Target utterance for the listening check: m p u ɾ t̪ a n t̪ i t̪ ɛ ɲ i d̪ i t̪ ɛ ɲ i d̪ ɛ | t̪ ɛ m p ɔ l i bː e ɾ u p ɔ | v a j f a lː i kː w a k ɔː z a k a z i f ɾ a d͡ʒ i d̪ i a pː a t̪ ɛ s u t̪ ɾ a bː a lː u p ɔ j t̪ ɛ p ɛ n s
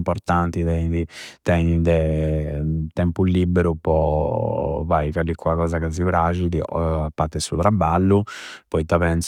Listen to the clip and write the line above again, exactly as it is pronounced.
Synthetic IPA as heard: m p ɔ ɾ t̪ a n t̪ i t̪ ɛ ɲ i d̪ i t̪ ɛ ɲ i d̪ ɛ | t̪ ɛ m p u l i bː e ɾ u p ɔ | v a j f a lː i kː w a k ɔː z a k a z i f ɾ a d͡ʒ i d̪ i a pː a t̪ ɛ s u t̪ ɾ a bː a lː u p ɔ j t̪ a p ɛ n s